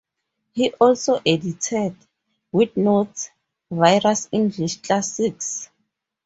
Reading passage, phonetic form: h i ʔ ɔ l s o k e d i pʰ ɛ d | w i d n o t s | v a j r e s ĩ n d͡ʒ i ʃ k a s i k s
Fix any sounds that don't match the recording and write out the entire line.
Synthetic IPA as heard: h i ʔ ɔ l s o ʔ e d i tʰ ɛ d | w i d n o t s | v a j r a s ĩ n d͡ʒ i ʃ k a s i k s

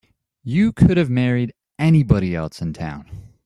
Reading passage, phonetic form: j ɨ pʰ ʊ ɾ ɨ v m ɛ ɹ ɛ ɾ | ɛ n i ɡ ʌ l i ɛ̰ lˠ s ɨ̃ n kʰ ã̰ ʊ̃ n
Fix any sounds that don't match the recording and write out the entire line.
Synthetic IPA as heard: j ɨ kʰ ʊ ɾ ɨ v m ɛ ɹ i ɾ | ɛ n i b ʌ ɾ i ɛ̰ lˠ s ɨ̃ n tʰ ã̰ ʊ̃ n

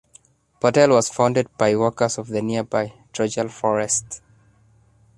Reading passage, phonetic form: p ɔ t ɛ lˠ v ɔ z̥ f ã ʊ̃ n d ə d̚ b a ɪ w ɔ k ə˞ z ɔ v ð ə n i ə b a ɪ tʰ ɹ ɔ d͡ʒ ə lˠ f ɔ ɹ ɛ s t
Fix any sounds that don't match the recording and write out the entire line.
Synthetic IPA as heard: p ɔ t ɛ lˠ w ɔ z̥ f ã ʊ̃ n d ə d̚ b a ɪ w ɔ k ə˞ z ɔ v ð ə n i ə b a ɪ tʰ ɹ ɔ d͡ʒ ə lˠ f ɔ ɹ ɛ s t

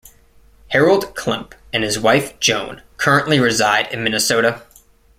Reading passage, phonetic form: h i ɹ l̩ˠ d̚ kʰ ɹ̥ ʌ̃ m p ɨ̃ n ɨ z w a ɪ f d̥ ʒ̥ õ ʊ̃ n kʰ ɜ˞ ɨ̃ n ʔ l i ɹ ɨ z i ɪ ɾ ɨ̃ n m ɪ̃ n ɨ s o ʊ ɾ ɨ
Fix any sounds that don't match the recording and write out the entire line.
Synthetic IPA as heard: h ɛ ɹ l̩ˠ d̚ kʰ l̥ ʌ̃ m p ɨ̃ n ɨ z w a ɪ f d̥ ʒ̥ õ ʊ̃ n kʰ ɜ˞ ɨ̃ n ʔ l i ɹ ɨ z a ɪ ɾ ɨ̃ n m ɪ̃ n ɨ s o ʊ ɾ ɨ

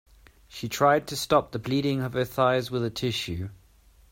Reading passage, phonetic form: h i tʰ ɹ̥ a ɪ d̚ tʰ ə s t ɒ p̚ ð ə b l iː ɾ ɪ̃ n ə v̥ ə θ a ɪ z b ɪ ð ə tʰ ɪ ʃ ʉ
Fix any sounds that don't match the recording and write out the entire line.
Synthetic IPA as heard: ʃ i tʰ ɹ̥ a ɪ d̚ tʰ ə s t ɒ p̚ ð ə b l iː ɾ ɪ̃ ŋ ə v̥ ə θ a ɪ z w ɪ ð ə tʰ ɪ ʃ ʉ

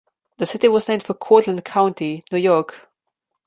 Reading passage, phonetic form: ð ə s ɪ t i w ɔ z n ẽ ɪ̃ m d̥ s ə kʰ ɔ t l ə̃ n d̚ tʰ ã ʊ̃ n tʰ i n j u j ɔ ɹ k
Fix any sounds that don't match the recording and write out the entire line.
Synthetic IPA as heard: ð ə s ɪ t i w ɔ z n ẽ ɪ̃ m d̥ f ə kʰ ɔ t l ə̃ n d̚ kʰ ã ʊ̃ n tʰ i n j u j ɔ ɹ k

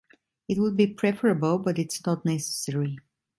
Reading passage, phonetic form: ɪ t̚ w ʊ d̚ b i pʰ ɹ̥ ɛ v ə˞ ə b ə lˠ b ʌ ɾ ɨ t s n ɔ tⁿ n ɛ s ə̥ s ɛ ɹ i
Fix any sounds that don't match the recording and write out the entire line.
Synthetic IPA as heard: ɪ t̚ w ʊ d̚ b i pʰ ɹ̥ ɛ f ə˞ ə b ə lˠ b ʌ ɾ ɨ t s n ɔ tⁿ n ɛ s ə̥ s ɛ ɹ i

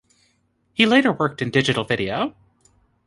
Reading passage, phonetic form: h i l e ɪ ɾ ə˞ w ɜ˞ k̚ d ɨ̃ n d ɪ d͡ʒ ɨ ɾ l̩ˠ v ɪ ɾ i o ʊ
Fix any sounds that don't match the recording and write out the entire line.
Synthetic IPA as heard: h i l e ɪ ɾ ə˞ w ɜ˞ k̚ t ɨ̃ n d ɪ d͡ʒ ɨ ɾ l̩ˠ v ɪ ɾ i o ʊ

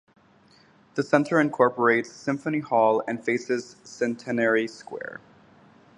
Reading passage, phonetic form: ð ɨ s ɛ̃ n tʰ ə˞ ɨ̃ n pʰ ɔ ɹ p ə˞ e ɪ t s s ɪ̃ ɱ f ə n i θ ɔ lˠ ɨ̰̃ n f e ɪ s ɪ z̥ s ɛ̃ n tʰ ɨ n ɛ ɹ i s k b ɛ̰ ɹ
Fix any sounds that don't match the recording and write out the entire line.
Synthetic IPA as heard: ð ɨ s ɛ̃ n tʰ ə˞ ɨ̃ n kʰ ɔ ɹ p ə˞ e ɪ t s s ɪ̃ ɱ f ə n i h ɔ lˠ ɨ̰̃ n f e ɪ s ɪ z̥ s ɛ̃ n tʰ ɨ n ɛ ɹ i s k w ɛ̰ ɹ

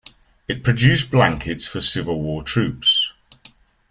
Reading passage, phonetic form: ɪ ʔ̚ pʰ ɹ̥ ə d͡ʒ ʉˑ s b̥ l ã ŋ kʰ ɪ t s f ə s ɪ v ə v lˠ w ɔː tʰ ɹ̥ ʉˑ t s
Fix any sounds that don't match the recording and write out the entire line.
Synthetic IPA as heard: ɪ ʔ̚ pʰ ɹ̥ ə d͡ʒ ʉˑ s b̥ l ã ŋ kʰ ɪ t s f ə s ɪ v ə lˠ w ɔː tʰ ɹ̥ ʉˑ p s

